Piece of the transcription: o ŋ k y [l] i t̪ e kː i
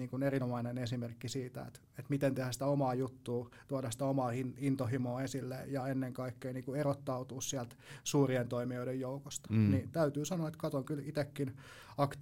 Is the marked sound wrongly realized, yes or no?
no